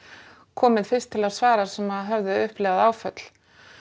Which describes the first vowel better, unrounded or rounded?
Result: rounded